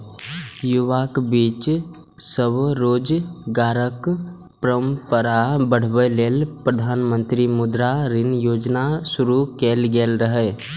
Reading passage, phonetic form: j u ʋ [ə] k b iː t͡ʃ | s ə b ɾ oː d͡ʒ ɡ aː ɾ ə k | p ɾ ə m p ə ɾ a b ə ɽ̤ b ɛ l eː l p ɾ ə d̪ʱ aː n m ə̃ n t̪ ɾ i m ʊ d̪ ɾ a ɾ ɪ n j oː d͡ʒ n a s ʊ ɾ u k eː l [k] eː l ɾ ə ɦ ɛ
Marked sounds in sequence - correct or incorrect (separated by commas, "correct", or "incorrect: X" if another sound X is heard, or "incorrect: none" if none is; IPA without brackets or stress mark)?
incorrect: a, incorrect: ɡ